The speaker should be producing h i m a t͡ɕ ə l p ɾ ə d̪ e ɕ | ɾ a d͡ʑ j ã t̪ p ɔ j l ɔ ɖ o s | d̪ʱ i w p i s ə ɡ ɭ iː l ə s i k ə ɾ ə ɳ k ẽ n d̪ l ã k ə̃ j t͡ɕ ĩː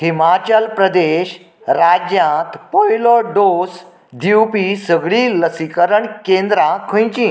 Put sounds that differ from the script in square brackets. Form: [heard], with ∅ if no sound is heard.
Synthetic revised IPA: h i m a t͡ɕ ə l p ɾ ə d̪ e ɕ | ɾ a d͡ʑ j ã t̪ p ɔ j l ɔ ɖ o s | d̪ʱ i w p i s ə ɡ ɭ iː l ə s i k ə ɾ ə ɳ k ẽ n d̪ [ɾ] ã [kʰ] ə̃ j t͡ɕ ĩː